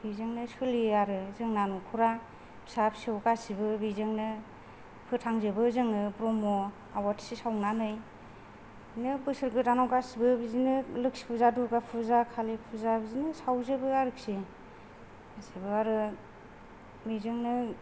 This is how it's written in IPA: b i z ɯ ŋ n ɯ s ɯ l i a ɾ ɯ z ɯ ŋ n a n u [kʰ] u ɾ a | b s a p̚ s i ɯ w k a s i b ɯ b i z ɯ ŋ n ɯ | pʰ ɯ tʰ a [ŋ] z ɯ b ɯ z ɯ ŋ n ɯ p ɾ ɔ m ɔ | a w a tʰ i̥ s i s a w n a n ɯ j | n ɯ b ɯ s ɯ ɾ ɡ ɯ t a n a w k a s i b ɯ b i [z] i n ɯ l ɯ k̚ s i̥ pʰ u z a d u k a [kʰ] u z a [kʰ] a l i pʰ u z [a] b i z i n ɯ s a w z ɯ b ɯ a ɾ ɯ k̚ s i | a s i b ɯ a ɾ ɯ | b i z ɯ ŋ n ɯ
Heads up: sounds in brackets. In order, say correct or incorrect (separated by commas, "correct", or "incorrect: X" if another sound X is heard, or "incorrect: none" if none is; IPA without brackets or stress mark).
correct, correct, correct, incorrect: pʰ, correct, correct